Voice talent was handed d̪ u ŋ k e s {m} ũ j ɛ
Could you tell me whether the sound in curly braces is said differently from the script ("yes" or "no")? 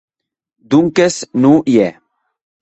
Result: yes